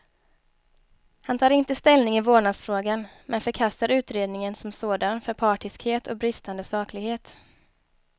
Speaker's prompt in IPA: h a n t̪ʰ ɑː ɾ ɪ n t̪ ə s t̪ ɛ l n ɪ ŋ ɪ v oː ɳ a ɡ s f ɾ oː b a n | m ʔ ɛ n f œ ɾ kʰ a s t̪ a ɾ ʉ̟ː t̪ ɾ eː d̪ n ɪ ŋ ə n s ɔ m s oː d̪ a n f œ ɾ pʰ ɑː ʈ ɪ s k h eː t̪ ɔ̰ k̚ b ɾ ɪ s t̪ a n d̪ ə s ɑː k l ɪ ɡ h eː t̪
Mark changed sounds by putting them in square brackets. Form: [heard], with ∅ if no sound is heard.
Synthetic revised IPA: h a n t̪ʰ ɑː ɾ ɪ n t̪ ə s t̪ ɛ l n ɪ ŋ ɪ v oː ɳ a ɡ s f ɾ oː [ɡ] a n | m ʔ ɛ n f œ ɾ kʰ a s t̪ a ɾ ʉ̟ː t̪ ɾ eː d̪ n ɪ ŋ ə n s ɔ m s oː d̪ a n f œ ɾ pʰ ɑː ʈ ɪ s k h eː t̪ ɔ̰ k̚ b ɾ ɪ s t̪ a n d̪ ə s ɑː k l ɪ ɡ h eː t̪